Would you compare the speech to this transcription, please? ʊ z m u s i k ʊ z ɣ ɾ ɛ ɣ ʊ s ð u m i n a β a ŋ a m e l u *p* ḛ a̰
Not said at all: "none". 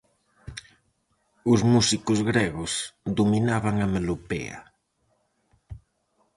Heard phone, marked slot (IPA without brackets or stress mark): p